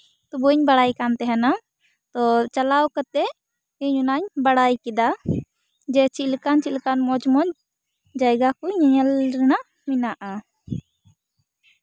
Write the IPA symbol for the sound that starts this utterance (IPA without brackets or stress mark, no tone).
t̪